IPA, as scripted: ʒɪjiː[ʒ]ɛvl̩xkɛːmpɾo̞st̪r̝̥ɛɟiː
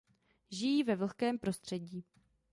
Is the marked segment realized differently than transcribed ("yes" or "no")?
yes